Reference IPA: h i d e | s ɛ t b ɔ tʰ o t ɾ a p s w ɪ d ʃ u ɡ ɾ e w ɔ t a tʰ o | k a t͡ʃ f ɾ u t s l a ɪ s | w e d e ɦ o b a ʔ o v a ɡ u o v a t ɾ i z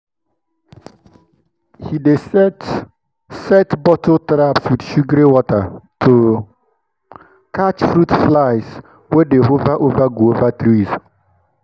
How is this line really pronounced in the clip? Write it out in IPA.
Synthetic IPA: h i d e | s ɛ t b ɔ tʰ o t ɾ a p s w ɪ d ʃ u ɡ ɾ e w ɔ t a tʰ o | k a t͡ʃ f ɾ u t f l a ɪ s | w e d e ɦ o v a ʔ o v a ɡ u o v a t ɾ i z

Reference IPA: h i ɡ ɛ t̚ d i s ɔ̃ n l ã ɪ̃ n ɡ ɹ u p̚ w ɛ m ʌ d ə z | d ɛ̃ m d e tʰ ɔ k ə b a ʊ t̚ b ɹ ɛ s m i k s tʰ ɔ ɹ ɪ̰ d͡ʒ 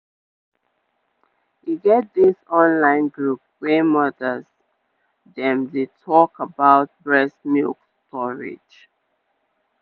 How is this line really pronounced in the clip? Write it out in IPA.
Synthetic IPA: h i ɡ ɛ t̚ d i s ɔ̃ n l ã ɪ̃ n ɡ ɹ u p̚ w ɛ m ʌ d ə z | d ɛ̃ m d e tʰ ɔ k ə b a ʊ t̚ b ɹ ɛ s m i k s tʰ ɔ ɹ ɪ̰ d͡ʒ

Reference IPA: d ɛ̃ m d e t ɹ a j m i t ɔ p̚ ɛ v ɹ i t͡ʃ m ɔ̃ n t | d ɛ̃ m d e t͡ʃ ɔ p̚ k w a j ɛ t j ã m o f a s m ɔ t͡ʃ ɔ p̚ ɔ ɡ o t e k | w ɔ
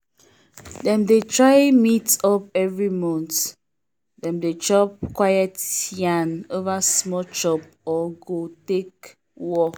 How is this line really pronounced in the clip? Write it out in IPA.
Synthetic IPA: d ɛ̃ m d e t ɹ a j m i t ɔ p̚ ɛ v ɹ i m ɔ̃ n t | d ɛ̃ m d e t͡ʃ ɔ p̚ k w a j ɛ t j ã n o v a s m ɔ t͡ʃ ɔ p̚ ɔ ɡ o t e k | w ɔ

